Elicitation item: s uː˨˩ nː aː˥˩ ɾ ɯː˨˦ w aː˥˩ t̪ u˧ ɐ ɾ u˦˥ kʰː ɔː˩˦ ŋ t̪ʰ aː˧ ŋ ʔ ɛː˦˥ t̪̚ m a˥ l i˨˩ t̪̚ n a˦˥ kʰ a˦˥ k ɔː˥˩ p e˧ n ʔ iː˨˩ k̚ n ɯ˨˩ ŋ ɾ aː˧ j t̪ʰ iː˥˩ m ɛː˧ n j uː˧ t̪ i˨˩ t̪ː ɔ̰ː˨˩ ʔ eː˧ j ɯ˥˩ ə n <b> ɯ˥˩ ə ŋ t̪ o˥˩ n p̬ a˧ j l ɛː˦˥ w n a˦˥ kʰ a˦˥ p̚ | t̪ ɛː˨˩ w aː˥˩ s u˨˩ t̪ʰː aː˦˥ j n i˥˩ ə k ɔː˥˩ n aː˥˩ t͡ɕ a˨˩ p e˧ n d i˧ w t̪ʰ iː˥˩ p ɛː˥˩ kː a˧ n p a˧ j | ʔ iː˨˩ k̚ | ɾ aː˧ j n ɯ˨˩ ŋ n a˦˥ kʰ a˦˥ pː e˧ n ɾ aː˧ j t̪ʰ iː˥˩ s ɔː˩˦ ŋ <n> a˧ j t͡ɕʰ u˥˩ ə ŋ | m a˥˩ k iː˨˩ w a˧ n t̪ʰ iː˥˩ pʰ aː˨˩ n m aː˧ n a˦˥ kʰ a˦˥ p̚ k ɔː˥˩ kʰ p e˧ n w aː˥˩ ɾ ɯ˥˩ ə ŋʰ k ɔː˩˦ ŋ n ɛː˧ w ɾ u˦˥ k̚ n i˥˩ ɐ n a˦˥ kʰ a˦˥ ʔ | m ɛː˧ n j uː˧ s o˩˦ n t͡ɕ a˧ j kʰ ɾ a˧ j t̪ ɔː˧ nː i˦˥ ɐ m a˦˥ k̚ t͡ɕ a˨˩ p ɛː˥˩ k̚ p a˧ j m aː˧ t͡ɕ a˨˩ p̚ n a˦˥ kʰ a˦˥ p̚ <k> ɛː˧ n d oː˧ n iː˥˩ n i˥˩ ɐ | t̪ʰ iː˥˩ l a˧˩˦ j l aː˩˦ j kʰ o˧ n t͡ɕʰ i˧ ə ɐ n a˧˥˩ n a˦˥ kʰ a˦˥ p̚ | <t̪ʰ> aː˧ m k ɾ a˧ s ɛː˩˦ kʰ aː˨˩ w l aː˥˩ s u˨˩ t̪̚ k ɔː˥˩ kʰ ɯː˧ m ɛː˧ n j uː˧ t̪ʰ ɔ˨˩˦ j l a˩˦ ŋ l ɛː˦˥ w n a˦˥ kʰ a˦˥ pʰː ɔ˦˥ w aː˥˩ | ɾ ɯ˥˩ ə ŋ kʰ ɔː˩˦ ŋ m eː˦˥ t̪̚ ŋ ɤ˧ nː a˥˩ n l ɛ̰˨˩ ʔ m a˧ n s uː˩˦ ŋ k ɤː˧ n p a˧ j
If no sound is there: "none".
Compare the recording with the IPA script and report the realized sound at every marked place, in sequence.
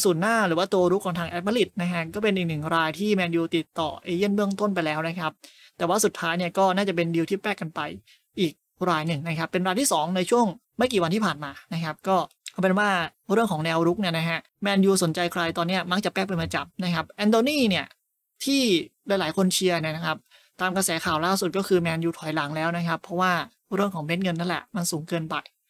b, n, ʔ, t̪

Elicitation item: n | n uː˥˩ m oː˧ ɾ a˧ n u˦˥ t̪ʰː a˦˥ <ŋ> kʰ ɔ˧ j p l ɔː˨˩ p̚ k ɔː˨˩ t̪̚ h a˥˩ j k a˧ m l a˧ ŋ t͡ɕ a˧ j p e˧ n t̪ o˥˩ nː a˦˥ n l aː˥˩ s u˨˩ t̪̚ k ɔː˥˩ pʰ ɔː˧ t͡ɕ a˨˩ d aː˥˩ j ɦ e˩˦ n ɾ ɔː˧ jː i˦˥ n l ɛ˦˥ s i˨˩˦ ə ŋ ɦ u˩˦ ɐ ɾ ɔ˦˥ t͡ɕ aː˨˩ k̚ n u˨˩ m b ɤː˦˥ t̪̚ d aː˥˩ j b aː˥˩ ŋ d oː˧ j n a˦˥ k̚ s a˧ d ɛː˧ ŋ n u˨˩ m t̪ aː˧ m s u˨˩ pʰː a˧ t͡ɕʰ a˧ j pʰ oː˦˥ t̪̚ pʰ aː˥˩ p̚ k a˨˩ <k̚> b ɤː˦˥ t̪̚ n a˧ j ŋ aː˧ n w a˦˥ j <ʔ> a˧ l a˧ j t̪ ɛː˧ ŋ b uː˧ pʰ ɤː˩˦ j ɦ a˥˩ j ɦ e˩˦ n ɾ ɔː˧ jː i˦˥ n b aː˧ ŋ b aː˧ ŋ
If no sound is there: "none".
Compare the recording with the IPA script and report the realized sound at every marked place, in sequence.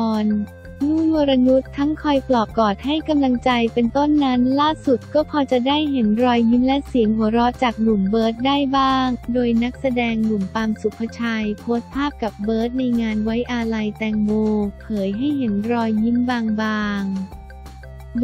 ŋ, p̚, ʔ

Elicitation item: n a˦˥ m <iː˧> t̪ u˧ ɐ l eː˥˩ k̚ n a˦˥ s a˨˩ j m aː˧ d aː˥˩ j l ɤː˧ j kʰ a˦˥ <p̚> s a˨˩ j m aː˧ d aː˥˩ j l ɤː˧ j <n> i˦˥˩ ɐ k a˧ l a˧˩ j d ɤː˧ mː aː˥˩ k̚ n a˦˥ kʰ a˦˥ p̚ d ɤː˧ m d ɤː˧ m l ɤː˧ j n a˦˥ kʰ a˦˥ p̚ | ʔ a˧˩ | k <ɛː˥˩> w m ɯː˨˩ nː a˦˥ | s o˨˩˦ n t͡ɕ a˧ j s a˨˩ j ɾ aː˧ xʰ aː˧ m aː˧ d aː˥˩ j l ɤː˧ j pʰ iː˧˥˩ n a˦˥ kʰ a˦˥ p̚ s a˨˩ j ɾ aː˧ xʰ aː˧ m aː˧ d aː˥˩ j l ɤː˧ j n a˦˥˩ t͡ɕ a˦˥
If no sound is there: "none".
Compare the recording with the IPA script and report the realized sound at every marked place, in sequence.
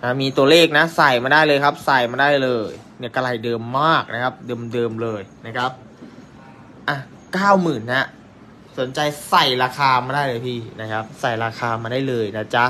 iː˧, p̚, n, aː˥˩

